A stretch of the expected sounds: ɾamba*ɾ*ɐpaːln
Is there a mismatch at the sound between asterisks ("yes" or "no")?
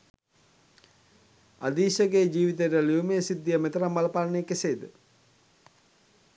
yes